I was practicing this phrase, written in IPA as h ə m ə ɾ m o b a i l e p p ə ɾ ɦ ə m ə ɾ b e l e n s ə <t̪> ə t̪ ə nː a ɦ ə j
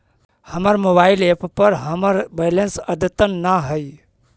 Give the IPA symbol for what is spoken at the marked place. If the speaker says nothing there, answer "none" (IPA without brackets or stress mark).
d̪